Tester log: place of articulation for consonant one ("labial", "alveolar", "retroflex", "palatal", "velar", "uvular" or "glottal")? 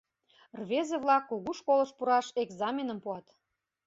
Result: alveolar